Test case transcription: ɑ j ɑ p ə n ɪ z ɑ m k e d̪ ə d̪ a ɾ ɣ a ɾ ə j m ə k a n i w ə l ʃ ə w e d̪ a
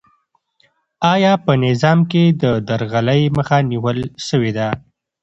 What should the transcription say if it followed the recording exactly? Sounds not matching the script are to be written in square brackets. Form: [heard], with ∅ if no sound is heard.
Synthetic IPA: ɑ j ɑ p ə n ɪ z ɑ m k e d̪ ə d̪ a ɾ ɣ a [l] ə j m ə [x] a n i w ə l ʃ ə w e d̪ a